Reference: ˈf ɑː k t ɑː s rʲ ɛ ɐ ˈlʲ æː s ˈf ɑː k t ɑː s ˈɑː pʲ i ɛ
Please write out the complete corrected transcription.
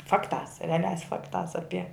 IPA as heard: ˈf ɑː k t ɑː s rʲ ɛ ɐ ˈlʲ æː s ˈf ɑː k t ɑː s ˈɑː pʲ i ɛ